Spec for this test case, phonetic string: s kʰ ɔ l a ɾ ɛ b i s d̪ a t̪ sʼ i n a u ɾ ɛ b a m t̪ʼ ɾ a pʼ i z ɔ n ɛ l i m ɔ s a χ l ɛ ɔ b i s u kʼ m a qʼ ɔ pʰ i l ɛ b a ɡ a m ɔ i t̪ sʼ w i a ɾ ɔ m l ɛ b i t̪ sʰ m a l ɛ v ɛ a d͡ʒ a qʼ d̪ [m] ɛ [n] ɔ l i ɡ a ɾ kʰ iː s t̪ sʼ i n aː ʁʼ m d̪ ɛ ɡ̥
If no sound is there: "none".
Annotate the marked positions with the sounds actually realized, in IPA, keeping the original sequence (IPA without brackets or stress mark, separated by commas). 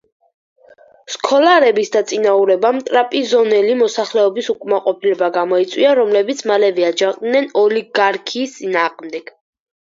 n, n